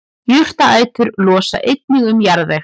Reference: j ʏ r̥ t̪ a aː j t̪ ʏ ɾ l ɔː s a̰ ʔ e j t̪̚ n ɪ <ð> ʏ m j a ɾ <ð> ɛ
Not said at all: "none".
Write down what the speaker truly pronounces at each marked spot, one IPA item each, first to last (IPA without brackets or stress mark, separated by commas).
ɣ, ð